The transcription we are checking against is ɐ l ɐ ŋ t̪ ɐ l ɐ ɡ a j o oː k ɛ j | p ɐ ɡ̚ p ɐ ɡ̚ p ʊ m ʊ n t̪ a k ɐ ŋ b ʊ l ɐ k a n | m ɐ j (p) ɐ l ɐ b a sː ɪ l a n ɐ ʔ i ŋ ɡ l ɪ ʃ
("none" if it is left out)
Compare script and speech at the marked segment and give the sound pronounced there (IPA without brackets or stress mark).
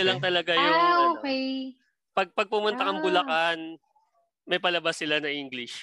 p